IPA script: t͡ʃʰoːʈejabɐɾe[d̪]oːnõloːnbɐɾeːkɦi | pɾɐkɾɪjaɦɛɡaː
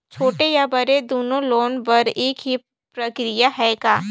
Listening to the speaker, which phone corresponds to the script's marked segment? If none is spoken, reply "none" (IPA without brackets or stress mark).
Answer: d̪